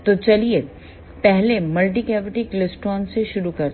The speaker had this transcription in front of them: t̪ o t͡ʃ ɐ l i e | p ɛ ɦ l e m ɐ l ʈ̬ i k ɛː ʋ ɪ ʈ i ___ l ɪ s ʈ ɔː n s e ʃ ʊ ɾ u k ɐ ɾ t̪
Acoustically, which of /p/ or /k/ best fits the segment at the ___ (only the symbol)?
k